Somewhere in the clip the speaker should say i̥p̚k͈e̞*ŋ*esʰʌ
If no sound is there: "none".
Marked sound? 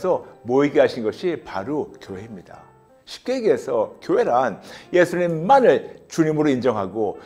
ɡ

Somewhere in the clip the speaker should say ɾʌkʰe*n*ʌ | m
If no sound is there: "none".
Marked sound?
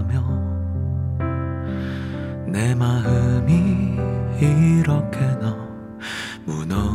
n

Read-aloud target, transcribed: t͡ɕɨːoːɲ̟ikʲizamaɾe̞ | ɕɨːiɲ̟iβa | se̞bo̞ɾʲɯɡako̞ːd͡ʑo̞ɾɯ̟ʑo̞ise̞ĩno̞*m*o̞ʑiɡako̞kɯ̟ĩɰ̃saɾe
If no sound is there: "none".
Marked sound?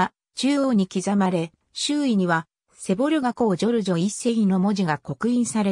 m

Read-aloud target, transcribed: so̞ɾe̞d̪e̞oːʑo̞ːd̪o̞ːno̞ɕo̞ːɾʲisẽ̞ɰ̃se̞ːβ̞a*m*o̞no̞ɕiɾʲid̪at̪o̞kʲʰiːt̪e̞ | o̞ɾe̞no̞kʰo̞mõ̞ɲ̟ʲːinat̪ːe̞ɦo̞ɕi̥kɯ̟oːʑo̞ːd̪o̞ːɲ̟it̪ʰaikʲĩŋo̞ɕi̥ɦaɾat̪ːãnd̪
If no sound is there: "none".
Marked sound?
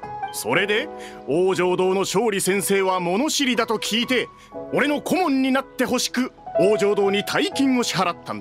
m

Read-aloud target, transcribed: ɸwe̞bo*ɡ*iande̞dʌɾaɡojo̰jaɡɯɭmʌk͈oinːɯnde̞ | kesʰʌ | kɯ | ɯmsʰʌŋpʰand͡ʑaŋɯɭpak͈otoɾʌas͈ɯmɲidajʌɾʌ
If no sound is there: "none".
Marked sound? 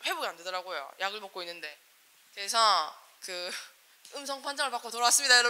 ɡ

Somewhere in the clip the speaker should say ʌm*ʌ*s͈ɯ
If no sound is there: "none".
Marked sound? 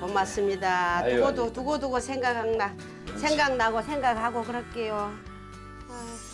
a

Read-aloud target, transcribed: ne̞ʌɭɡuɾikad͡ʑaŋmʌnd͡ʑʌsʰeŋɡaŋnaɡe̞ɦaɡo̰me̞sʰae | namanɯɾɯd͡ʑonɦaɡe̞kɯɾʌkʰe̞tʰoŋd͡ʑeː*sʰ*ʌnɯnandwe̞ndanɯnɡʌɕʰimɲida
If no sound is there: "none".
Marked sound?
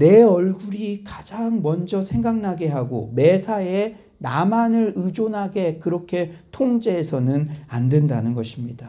sʰ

